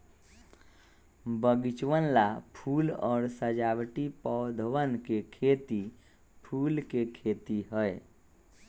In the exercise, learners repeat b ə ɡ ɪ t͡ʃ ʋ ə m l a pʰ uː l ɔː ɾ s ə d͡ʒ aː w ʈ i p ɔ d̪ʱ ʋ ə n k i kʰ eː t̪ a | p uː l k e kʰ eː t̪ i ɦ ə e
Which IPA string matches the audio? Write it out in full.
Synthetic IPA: b ə ɡ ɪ t͡ʃ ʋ ə n l a pʰ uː l ɔː ɾ s ə d͡ʒ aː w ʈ i p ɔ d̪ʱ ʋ ə n k e kʰ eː t̪ i | pʰ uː l k e kʰ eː t̪ i ɦ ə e